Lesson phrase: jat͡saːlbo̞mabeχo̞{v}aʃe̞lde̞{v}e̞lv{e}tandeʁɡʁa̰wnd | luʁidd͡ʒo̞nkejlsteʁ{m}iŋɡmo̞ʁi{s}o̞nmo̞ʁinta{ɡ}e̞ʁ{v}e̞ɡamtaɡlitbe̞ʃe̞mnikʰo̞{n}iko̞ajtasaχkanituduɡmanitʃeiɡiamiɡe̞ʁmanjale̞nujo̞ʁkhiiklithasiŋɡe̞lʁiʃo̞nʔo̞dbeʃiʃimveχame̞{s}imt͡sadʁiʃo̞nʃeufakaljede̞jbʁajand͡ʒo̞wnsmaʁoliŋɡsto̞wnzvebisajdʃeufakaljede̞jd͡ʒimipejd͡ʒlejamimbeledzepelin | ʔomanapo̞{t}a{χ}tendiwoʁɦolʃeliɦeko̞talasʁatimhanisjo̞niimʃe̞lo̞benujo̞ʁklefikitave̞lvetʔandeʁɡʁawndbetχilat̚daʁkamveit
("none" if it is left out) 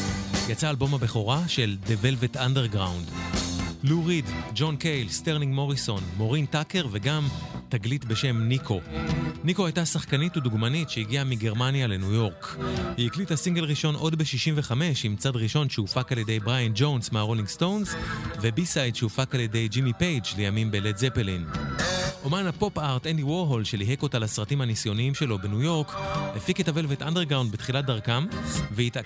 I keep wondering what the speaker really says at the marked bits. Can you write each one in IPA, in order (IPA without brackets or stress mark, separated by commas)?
ʁ, v, e, n, s, k, v, n, ʃ, p, ʁ